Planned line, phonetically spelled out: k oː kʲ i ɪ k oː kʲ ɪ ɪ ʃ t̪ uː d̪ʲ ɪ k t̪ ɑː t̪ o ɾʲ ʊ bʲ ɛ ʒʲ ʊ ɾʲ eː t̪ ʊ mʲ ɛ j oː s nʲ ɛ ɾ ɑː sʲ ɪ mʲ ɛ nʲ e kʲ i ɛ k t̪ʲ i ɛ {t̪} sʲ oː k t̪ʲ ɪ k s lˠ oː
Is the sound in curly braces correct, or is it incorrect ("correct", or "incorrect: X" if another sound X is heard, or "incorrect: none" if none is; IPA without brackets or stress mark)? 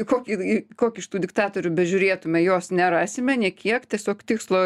incorrect: none